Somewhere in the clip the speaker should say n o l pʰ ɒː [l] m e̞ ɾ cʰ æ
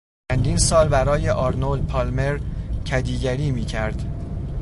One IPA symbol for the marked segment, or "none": l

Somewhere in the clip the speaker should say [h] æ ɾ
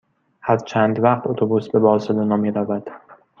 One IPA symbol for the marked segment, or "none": h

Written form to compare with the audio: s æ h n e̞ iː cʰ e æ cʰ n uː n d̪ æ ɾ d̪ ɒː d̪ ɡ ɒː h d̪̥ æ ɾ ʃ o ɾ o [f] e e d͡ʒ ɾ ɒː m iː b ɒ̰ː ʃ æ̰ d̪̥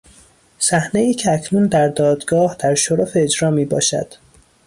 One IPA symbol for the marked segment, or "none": f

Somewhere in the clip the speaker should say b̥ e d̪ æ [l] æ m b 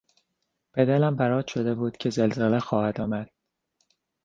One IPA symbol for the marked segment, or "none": l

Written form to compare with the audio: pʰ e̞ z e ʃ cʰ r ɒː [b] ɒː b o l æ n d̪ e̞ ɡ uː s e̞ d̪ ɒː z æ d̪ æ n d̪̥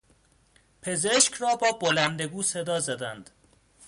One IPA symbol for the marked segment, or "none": b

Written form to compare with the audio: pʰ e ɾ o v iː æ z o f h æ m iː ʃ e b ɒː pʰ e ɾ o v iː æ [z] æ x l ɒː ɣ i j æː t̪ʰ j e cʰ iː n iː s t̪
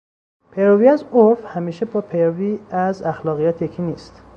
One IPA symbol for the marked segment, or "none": z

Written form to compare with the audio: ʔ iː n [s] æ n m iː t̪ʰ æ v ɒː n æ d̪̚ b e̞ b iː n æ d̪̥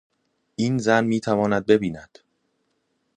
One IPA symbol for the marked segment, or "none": z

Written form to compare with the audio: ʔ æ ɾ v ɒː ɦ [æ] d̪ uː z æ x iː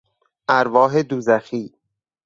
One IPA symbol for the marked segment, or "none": e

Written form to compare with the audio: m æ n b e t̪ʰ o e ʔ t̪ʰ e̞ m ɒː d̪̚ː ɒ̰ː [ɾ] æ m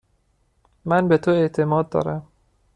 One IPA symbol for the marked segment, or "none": ɾ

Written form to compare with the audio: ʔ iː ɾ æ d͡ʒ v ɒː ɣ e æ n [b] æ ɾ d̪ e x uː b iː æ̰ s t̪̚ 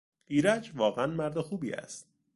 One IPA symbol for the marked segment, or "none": m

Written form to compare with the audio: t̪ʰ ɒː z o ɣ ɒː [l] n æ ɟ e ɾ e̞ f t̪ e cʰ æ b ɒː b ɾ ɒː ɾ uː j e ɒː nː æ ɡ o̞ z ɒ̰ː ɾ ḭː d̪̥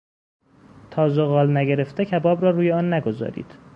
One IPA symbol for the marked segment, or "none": l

